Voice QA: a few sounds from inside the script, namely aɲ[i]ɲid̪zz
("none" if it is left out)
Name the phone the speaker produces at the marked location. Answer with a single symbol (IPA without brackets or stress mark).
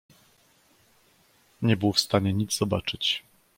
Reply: ɛ